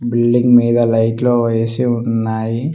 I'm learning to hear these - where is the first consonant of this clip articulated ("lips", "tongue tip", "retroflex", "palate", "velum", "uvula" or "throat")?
lips